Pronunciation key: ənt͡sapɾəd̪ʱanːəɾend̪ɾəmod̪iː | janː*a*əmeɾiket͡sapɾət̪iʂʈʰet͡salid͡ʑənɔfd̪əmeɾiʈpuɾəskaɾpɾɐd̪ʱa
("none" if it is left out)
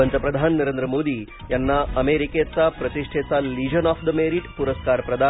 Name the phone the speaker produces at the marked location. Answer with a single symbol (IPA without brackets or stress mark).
a